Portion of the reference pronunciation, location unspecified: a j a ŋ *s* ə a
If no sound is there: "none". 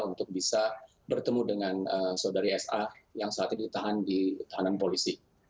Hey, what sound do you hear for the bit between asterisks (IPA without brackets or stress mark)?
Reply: s